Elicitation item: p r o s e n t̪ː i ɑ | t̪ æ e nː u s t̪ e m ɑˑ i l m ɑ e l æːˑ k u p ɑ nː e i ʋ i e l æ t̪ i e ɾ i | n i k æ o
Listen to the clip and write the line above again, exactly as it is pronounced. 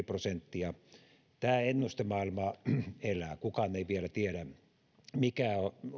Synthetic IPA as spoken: p r o s e n t̪ː i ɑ | t̪ æː e nː u s t̪ e m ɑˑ i l m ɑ e l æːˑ k u k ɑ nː e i ʋ i e l æ t̪ i e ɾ æ | m i k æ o